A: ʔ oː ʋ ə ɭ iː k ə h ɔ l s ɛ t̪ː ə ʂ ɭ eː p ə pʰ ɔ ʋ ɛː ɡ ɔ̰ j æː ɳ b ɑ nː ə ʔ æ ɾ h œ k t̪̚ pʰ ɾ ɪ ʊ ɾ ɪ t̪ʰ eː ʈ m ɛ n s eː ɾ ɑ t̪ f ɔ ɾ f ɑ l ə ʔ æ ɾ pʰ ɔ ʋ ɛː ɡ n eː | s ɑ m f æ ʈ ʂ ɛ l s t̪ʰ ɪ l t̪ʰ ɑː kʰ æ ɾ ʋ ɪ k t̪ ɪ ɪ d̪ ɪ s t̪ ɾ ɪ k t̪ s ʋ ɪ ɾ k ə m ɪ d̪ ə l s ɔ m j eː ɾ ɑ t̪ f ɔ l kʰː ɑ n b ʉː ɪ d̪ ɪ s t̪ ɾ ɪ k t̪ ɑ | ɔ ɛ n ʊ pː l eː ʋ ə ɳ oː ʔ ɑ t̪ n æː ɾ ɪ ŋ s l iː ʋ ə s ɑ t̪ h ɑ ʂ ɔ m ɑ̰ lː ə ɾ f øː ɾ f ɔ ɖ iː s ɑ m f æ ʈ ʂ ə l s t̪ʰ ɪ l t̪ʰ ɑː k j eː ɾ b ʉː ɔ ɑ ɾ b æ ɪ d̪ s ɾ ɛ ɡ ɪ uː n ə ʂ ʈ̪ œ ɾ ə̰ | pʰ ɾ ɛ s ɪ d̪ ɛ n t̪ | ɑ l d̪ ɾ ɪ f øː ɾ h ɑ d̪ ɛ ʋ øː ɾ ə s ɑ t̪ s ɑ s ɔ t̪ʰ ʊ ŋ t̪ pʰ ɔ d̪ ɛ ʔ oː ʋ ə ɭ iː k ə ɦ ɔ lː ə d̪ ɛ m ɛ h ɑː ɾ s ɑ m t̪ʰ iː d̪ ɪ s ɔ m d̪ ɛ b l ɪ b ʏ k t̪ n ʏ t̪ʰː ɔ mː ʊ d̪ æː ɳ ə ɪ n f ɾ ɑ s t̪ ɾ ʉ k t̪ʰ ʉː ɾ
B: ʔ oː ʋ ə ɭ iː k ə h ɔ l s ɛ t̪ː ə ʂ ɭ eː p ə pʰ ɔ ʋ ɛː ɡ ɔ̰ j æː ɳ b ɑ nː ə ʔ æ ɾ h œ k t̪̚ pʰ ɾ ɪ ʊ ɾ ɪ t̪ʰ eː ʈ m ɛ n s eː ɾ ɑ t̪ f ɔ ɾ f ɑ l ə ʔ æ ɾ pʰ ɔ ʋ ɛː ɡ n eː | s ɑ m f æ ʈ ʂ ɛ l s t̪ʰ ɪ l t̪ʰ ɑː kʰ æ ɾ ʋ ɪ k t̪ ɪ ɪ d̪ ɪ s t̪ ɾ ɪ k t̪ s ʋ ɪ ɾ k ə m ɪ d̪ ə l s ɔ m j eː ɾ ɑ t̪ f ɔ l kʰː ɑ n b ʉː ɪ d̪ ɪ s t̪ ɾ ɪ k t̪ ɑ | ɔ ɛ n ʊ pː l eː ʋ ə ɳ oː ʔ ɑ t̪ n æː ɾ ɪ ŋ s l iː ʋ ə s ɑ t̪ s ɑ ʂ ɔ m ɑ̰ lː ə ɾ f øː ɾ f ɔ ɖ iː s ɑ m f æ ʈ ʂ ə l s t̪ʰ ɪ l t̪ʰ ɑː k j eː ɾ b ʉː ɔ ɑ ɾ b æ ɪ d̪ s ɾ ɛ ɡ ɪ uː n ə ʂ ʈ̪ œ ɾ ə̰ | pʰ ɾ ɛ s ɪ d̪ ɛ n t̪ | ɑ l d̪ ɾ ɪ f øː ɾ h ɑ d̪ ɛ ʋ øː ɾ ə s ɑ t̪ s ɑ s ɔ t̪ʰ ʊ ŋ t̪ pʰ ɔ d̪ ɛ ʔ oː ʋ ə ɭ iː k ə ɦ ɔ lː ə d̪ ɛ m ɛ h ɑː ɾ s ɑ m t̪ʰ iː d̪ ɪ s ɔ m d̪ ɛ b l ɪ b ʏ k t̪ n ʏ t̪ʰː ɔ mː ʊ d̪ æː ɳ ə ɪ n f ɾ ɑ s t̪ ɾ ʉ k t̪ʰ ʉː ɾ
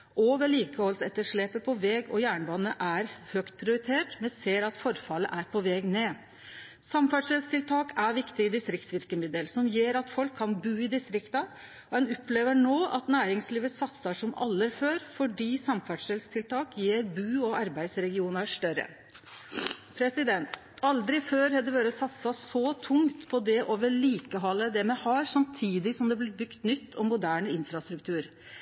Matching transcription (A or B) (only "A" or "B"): B